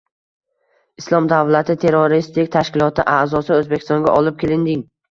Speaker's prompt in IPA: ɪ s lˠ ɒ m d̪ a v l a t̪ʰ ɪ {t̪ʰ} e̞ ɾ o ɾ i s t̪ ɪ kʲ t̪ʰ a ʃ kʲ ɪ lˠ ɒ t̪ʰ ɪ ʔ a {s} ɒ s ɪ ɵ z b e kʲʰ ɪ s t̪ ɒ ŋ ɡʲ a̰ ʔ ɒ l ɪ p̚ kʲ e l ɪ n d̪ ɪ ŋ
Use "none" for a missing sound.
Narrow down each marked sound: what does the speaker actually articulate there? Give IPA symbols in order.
t̪ʰ, z

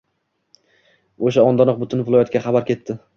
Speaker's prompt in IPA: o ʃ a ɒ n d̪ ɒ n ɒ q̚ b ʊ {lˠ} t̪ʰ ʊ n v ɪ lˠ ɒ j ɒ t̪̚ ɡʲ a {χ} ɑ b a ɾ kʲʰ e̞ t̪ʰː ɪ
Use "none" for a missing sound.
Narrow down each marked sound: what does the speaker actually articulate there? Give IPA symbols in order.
none, χ

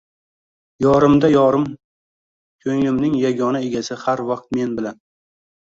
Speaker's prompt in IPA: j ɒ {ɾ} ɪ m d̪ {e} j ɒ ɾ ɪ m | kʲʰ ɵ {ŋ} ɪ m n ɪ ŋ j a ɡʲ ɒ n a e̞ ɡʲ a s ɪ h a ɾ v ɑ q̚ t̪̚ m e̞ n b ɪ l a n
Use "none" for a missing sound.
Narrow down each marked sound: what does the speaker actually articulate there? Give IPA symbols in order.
ɾ, a, ŋ

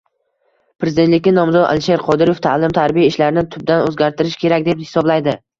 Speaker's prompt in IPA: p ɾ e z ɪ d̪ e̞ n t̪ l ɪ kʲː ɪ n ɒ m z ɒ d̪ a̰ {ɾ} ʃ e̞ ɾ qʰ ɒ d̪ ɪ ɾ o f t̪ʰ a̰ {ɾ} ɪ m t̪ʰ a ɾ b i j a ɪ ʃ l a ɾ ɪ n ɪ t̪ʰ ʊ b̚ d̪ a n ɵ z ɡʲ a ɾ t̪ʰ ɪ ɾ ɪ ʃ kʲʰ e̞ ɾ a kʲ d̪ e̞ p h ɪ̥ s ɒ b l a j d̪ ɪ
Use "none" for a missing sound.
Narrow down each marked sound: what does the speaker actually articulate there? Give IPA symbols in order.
l, l

